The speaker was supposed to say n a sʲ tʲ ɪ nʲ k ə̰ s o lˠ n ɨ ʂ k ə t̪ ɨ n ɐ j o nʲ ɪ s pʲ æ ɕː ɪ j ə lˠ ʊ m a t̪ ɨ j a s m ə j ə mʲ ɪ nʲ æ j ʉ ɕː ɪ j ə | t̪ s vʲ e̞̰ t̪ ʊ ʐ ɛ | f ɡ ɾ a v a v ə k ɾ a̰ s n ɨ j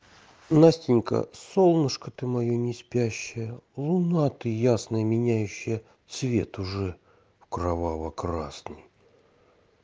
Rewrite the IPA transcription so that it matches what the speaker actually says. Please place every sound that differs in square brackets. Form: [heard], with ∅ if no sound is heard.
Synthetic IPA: n a sʲ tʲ ɪ nʲ k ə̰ s o lˠ n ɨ ʂ k ə t̪ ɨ [m] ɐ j o nʲ ɪ s pʲ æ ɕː ɪ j ə lˠ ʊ [n] a t̪ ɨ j a s [n] ə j ə mʲ ɪ nʲ æ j ʉ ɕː ɪ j ə | t̪ s vʲ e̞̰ t̪ ʊ ʐ ɛ | f [k] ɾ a v a v ə k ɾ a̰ s n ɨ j